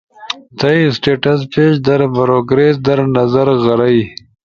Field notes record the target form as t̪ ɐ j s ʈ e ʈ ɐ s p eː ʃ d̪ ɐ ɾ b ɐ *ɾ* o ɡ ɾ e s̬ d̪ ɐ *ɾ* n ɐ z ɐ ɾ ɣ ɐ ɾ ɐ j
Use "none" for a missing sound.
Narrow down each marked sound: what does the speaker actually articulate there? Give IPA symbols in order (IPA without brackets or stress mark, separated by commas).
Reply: ɾ, ɾ